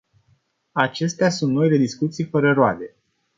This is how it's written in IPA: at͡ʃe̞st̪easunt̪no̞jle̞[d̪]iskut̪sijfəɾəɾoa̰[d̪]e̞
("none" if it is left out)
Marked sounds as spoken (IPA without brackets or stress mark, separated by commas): d̪, d̪